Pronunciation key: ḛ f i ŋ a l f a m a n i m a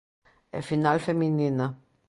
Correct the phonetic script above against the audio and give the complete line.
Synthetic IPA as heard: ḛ f i n a l f e m i n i n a